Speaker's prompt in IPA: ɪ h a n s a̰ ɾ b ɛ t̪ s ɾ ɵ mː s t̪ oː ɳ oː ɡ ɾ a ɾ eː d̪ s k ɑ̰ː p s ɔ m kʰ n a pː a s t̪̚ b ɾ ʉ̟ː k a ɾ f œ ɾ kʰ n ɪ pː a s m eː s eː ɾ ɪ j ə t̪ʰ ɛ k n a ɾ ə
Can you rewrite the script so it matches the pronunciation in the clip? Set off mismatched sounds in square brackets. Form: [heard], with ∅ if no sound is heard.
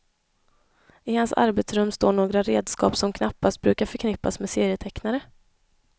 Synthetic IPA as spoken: ɪ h a n s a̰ ɾ b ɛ t̪ s ɾ ɵ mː s t̪ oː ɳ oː ɡ ɾ a ɾ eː d̪ s k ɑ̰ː p s ɔ m kʰ n a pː a s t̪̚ b ɾ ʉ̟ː k a ɾ f œ ɾ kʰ n ɪ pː a s m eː s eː ɾ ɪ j ə t̪ʰ ɛ k n a ɾ ə

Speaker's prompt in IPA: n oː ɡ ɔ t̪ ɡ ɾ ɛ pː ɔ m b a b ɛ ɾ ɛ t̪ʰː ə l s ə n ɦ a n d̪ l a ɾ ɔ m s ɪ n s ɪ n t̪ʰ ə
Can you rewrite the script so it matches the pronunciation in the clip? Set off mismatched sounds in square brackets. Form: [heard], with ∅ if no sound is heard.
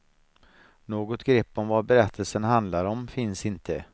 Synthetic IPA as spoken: n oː ɡ ɔ t̪ ɡ ɾ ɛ pː ɔ m [v] a b ɛ ɾ ɛ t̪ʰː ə l s ə n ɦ a n d̪ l a ɾ ɔ m [f] ɪ n s ɪ n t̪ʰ ə

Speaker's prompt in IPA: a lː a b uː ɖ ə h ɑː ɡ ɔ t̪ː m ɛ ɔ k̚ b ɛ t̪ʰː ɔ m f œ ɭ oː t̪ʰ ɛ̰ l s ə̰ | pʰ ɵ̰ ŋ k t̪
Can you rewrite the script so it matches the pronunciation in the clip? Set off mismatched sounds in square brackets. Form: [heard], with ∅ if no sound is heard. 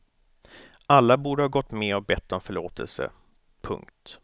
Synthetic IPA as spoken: a lː a b uː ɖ ə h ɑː ɡ ɔ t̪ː m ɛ ɔ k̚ b ɛ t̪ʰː ɔ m f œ ɭ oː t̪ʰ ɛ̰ l s ə̰ | pʰ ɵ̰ ŋ k t̪

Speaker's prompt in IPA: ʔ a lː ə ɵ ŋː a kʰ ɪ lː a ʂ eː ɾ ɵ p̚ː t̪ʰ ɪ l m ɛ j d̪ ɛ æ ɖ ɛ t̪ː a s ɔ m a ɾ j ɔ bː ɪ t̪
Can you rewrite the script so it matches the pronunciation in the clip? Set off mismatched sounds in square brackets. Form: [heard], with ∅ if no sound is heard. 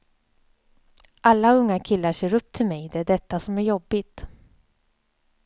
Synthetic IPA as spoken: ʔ a lː [a] ɵ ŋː a kʰ ɪ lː a ʂ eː ɾ ɵ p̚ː t̪ʰ ɪ l m ɛ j d̪ ɛ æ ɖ ɛ t̪ː a s ɔ m [æ] ɾ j ɔ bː ɪ t̪

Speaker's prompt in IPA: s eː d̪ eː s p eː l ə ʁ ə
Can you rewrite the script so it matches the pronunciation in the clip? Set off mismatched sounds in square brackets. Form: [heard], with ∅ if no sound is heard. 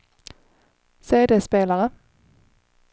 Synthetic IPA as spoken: s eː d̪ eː s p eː l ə ʁ ə

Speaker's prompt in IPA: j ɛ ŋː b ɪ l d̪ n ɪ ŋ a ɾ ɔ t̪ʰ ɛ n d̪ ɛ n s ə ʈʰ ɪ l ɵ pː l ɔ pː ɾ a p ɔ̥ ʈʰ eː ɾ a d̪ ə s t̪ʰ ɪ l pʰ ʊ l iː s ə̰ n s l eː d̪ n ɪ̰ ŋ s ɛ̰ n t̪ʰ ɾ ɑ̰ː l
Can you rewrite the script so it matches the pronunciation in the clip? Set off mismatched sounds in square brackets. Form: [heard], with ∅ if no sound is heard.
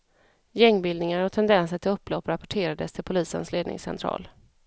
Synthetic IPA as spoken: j ɛ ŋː b ɪ l d̪ n ɪ ŋ a ɾ ɔ t̪ʰ ɛ n d̪ ɛ n s ə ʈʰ ɪ l ɵ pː l ɔ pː ɾ a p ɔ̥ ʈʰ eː ɾ a d̪ ə s t̪ʰ ɪ l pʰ ʊ l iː s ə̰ n s l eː d̪ n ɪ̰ ŋ s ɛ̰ n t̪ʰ ɾ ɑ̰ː l

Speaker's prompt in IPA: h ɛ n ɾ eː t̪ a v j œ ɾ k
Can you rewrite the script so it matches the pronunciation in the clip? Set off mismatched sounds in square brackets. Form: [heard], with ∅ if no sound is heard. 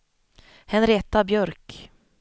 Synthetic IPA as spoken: h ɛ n ɾ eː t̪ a [b] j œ ɾ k

